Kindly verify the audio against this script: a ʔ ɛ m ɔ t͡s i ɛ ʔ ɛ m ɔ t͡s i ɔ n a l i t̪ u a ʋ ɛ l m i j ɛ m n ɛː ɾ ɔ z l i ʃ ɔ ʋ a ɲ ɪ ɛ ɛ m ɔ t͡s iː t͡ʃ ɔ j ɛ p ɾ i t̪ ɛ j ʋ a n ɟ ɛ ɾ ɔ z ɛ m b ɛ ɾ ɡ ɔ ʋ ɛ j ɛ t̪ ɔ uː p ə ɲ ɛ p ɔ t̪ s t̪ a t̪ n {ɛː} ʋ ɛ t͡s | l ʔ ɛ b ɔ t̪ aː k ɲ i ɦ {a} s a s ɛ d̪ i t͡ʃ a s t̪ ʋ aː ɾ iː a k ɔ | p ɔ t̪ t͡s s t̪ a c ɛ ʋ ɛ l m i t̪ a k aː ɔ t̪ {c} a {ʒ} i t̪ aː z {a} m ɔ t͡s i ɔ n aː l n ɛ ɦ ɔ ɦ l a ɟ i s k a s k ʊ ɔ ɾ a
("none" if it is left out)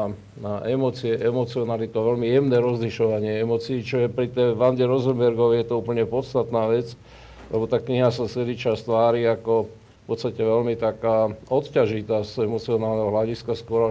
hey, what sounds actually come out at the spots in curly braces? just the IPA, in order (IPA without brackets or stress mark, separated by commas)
aː, a, c, ʒ, ɛ